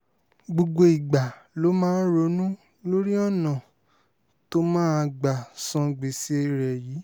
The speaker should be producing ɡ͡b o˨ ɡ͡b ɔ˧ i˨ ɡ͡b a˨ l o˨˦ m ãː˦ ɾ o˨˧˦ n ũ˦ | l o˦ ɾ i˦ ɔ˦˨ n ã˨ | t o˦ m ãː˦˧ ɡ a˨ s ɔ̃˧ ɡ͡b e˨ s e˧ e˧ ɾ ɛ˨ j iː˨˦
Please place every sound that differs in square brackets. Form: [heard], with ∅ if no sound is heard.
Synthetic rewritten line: ɡ͡b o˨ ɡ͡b [o˧] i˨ ɡ͡b a˨ l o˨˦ m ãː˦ ɾ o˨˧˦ n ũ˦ | l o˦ ɾ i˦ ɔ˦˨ n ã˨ | t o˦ m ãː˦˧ [ɡ͡b] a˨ s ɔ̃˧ ɡ͡b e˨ s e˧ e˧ ɾ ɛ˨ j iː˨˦